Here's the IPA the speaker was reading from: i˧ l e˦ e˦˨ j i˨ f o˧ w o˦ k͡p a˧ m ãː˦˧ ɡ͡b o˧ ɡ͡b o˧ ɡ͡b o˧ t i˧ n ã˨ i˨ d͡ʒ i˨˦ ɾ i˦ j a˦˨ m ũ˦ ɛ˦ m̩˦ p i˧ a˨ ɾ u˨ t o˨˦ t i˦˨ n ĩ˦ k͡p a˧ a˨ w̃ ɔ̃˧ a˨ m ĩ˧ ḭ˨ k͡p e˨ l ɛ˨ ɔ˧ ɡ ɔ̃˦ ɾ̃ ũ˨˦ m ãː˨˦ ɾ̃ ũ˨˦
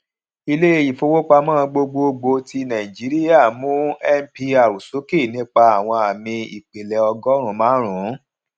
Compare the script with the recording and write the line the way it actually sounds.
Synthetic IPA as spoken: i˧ l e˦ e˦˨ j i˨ f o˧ w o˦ k͡p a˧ m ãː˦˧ ɡ͡b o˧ ɡ͡b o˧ ɡ͡b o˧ t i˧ n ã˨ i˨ d͡ʒ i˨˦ ɾ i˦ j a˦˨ m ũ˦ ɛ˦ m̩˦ p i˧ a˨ ɾ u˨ s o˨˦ k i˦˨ n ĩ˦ k͡p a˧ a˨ w̃ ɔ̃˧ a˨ m ĩ˧ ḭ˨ k͡p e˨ l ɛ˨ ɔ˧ ɡ ɔ˦ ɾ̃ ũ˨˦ m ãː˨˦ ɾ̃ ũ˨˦

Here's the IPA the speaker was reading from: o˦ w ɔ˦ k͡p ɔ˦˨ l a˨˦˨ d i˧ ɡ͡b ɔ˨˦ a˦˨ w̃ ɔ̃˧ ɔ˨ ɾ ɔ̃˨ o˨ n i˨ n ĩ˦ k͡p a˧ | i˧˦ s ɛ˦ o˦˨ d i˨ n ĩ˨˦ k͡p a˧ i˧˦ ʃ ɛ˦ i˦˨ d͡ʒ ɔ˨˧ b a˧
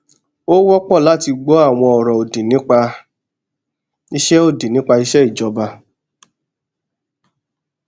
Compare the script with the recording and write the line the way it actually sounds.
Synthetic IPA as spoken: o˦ w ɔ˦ k͡p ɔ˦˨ l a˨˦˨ t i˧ ɡ͡b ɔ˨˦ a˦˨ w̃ ɔ̃˧ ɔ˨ ɾ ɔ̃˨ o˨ d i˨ n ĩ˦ k͡p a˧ | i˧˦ ʃ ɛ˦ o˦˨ d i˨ n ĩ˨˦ k͡p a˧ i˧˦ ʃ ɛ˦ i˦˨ d͡ʒ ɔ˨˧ b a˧

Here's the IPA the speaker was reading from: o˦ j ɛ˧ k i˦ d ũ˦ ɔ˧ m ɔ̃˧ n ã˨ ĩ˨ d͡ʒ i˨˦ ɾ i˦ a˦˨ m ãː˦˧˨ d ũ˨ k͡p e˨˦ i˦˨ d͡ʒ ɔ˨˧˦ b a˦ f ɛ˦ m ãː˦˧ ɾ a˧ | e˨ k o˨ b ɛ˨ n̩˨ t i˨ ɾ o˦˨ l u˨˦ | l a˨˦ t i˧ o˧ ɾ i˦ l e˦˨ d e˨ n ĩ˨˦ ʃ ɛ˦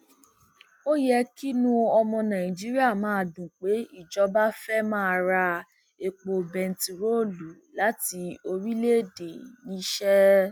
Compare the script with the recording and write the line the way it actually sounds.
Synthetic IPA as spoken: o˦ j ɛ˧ k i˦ n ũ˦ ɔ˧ m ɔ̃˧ n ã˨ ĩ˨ d͡ʒ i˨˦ ɾ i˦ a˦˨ m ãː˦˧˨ d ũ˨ k͡p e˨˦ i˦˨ d͡ʒ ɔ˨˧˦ b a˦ f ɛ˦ m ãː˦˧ ɾ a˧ | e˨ k͡p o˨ b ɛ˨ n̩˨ t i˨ ɾ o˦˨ l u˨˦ | l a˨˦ t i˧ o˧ ɾ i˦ l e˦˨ d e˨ n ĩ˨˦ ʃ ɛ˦

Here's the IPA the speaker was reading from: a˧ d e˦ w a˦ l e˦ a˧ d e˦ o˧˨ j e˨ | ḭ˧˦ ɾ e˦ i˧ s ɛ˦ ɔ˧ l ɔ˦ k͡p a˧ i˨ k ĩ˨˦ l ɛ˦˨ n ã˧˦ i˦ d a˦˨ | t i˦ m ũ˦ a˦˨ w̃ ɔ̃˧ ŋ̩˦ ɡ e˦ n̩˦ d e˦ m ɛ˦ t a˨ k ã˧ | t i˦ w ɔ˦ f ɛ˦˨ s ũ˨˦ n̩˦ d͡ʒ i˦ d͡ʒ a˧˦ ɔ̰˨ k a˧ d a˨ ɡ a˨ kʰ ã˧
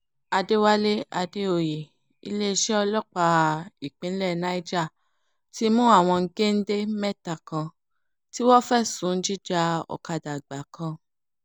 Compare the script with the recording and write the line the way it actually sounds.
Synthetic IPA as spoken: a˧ d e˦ w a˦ l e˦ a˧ d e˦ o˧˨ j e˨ | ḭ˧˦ l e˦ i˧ ʃ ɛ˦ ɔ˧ l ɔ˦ k͡p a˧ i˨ k͡p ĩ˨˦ l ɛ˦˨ n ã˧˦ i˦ d͡ʒ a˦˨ | t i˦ m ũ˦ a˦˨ w̃ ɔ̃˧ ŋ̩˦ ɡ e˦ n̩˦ d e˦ m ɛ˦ t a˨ k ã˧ | t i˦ w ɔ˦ f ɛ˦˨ s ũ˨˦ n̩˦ d͡ʒ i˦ d͡ʒ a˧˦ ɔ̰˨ k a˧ d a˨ ɡ͡b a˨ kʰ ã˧

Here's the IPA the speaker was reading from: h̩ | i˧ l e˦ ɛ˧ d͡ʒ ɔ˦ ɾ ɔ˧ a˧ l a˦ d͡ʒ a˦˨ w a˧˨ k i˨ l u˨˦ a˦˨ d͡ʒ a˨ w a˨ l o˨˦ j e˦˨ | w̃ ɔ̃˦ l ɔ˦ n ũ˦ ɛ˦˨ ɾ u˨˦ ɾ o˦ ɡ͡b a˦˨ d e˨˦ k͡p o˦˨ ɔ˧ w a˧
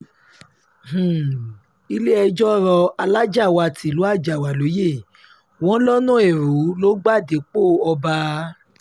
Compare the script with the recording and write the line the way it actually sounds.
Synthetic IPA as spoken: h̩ | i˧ l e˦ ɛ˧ d͡ʒ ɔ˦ ɾ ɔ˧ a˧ l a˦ d͡ʒ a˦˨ w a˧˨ t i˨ l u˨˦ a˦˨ d͡ʒ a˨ w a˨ l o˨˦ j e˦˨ | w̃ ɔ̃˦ l ɔ˦ n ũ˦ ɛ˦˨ ɾ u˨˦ l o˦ ɡ͡b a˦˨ d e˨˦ k͡p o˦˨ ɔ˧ b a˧

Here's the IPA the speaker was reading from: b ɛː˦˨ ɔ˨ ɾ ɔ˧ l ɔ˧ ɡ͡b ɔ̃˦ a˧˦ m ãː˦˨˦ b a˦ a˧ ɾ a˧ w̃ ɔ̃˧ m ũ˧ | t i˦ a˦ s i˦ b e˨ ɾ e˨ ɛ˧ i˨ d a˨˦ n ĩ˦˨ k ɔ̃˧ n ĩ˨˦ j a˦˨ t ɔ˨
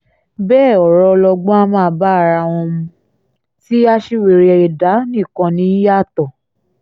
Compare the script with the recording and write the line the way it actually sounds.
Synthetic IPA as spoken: b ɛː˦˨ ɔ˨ ɾ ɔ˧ l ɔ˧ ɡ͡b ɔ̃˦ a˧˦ m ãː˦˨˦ b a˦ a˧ ɾ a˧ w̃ ɔ̃˧ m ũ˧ | t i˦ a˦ ʃ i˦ w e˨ ɾ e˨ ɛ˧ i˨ d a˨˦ n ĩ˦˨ k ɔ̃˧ n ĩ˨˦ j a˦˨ t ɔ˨

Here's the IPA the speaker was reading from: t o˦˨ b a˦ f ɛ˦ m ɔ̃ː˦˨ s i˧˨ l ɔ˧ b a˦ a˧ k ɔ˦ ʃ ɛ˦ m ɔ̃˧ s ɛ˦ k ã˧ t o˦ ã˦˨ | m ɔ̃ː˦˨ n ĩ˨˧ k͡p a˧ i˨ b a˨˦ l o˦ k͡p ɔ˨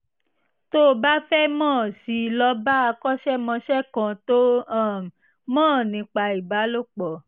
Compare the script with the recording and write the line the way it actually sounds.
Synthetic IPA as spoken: t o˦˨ b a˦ f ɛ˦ m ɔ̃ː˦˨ s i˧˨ l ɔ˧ b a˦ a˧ k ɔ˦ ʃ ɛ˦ m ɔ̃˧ ʃ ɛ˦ k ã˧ t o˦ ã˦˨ | m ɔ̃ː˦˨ n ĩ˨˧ k͡p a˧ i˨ b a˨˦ l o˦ k͡p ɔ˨

